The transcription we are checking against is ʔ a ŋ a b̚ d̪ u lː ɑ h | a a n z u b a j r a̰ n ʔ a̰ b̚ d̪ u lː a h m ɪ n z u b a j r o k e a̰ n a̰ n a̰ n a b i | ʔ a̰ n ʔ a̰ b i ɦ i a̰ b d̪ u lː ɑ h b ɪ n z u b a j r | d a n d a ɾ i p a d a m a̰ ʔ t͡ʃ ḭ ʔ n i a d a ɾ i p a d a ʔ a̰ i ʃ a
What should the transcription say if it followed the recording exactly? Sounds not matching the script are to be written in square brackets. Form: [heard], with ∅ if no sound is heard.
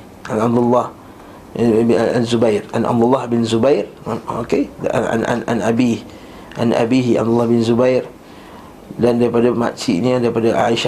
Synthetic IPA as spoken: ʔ a [n] a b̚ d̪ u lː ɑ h | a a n z u b a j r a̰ n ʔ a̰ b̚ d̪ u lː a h [b] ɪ n z u b a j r o k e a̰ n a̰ n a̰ n a b i | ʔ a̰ n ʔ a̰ b i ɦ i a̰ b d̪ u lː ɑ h b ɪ n z u b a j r | d a n d a ɾ i p a d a m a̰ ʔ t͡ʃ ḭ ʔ n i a d a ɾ i p a d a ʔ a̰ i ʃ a